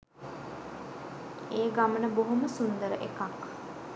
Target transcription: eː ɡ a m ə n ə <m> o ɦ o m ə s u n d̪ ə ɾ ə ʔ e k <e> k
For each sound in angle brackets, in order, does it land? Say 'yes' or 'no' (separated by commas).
no, no